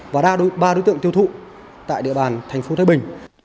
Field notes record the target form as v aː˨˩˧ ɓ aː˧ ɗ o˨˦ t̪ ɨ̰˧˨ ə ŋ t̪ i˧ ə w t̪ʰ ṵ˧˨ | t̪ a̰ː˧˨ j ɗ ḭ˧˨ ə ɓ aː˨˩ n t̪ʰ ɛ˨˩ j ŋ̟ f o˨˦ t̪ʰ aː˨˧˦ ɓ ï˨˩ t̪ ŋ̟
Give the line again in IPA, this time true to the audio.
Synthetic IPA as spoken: v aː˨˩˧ ɓ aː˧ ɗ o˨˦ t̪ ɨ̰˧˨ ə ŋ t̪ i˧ ə w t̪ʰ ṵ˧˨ | t̪ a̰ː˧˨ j ɗ ḭ˧˨ ə ɓ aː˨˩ n t̪ʰ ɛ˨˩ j ŋ̟ f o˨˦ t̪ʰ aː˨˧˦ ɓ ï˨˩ ŋ̟